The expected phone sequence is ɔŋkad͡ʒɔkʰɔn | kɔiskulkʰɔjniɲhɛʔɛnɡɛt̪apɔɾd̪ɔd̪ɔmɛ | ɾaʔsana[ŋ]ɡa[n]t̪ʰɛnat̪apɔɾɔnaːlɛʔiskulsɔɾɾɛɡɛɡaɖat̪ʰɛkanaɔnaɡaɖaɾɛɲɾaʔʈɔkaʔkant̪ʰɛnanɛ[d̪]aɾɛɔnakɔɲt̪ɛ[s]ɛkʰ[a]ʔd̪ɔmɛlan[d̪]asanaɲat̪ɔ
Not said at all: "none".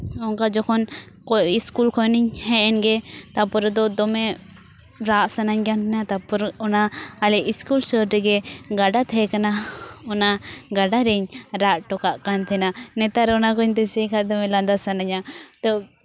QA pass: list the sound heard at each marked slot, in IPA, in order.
ɲ, n, t̪, s, a, d̪

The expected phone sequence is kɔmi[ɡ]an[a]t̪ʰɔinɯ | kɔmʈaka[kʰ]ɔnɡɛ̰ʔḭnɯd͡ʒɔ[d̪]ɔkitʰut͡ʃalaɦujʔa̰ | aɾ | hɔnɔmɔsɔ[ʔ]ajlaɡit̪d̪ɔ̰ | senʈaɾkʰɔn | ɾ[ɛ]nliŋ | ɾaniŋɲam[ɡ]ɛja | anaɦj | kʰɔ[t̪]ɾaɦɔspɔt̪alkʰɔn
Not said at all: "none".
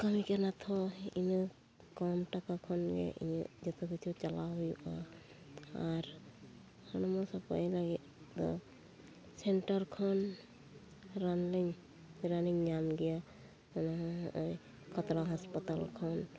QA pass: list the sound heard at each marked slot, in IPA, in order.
k, a, kʰ, t̪, p, a, ɡ, t̪

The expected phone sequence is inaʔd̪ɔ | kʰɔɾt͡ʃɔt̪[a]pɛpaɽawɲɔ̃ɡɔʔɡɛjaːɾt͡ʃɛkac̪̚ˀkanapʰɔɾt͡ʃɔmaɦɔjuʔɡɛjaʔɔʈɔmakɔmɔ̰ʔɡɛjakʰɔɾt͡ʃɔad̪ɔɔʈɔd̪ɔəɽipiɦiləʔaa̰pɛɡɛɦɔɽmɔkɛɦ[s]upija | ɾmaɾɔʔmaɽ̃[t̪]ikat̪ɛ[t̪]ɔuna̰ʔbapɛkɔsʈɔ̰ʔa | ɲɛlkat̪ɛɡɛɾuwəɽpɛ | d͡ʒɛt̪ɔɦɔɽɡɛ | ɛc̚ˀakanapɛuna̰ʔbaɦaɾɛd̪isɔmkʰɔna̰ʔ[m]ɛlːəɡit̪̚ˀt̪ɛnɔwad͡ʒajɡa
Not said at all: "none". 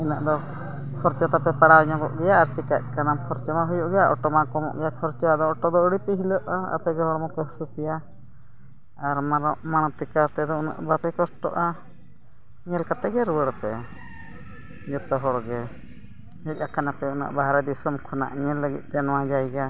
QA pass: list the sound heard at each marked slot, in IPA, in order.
a, s, t̪, d̪, ɲ

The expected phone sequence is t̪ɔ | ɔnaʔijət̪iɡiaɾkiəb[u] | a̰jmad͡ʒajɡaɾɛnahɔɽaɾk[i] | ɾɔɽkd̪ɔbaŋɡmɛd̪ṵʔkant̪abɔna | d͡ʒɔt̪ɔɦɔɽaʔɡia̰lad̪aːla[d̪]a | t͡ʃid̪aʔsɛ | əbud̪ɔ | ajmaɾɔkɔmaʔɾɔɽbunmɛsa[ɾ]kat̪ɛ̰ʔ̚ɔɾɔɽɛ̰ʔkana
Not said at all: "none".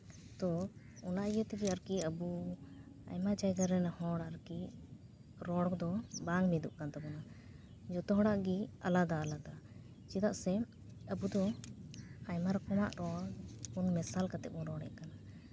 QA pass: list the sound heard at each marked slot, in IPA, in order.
u, i, d̪, l

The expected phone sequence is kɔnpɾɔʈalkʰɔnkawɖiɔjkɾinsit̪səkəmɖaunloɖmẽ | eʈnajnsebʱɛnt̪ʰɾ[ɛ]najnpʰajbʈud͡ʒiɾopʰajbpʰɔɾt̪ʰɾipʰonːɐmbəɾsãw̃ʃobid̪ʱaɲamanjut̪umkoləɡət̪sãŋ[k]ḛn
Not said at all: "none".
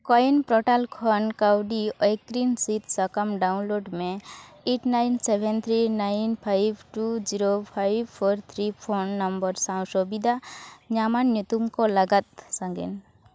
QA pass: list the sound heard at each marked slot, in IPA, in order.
i, ɡ

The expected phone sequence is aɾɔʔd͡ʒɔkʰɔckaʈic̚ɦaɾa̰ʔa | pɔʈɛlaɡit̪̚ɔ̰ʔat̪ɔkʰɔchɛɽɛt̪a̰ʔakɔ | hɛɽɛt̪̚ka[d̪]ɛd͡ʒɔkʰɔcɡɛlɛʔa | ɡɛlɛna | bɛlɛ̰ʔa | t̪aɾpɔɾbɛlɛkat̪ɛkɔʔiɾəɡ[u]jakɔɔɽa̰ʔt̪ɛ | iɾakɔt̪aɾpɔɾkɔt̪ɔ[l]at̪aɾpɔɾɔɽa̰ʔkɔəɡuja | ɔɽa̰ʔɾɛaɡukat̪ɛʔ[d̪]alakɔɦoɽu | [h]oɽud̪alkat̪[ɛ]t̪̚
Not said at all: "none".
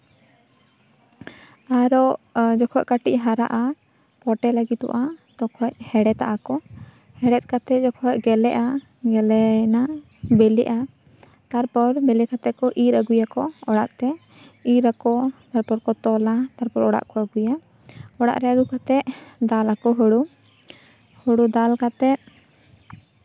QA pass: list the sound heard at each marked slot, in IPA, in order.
t̪, u, l, d̪, h, ɛ

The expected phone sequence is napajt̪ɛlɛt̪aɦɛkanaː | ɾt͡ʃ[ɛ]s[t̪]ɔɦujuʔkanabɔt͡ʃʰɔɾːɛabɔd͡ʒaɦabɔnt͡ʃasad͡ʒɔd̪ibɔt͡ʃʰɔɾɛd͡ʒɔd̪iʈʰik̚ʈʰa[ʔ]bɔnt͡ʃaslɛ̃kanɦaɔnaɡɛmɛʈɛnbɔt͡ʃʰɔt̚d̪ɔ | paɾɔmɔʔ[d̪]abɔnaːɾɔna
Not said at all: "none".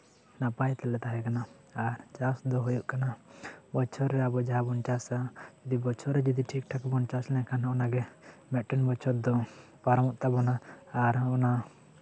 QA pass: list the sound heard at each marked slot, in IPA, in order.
a, d̪, k, t̪

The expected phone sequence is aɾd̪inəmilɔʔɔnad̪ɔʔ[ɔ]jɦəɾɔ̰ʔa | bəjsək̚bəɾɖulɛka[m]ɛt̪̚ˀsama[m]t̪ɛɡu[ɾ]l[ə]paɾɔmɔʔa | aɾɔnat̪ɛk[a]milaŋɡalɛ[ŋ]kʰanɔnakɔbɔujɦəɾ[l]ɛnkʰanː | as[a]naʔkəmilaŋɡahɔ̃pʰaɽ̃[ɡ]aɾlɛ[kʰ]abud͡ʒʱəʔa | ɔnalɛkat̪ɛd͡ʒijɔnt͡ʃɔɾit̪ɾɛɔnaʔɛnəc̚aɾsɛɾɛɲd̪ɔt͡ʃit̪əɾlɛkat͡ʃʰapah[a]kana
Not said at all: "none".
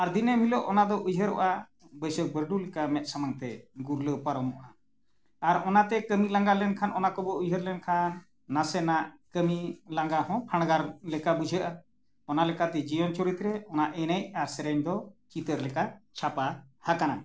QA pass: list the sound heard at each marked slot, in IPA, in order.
u, m, ŋ, ɾ, ə, ə, n, l, ɛ, ɡ, k, a

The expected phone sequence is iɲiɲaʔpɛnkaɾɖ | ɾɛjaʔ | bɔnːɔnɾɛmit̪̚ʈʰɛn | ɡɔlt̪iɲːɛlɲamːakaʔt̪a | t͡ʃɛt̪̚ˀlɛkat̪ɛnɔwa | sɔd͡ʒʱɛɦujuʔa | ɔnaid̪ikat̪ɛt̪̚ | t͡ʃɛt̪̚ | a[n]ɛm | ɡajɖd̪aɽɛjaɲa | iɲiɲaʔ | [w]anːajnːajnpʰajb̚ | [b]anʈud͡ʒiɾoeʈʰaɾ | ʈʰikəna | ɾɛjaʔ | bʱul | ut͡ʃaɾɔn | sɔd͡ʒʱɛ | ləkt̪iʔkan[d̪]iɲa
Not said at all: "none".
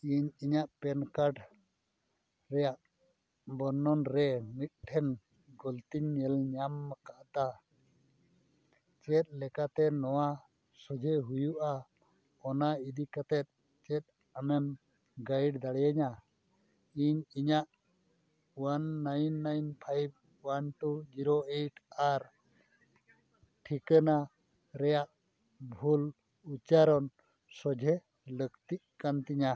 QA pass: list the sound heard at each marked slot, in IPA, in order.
m, w, w, t̪

